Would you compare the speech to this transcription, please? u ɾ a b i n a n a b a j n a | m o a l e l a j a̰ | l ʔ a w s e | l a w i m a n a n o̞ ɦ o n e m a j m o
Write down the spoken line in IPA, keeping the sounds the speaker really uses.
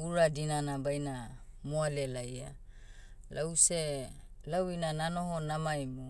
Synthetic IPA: u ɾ a d i n a n a b a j n a | m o a l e l a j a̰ | l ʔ a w s e | l a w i n a n a n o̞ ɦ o n a m a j m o